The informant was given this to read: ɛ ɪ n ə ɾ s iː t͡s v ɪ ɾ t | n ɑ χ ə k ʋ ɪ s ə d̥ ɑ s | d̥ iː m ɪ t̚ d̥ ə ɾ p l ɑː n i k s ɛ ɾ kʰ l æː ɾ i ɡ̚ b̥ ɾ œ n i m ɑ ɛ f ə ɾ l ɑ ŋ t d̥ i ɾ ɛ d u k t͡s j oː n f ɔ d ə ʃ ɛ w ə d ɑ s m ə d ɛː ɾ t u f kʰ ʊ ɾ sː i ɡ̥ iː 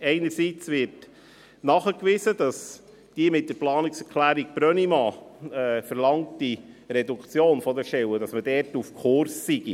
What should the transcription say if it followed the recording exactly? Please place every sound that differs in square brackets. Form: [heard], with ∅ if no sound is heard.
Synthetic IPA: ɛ ɪ n ə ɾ s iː t͡s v ɪ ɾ t | n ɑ χ ə k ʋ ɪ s ə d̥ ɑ s | d̥ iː m ɪ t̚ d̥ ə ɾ p l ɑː n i k s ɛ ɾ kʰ l æː ɾ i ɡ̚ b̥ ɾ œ n i m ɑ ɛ f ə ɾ l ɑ ŋ t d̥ i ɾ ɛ d u k t͡s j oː n f ɔ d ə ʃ ɛ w ə d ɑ s m ə d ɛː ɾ t u f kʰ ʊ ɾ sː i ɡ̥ [i]